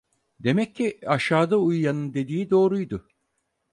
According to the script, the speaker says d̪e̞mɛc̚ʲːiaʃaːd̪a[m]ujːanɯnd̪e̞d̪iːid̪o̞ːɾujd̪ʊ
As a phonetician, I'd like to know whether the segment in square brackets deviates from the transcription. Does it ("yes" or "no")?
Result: yes